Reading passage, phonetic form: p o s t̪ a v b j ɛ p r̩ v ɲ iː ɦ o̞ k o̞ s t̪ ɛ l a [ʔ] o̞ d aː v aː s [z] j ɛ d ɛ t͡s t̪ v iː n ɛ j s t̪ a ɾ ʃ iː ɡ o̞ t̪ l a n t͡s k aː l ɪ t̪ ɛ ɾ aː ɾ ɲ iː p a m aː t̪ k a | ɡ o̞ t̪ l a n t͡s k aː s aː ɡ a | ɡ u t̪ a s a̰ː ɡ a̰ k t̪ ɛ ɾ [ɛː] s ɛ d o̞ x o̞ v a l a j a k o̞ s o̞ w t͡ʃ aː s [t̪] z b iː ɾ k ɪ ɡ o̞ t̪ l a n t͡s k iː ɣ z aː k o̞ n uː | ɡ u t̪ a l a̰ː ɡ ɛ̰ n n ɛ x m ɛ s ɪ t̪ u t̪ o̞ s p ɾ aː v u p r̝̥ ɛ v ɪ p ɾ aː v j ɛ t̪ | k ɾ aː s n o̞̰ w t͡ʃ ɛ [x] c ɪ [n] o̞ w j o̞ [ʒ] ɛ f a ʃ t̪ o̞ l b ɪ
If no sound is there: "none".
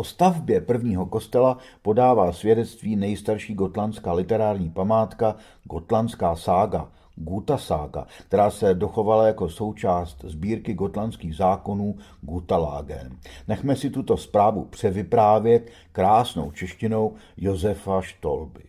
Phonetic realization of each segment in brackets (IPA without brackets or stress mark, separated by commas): p, v, aː, t̪, ʃ, n, z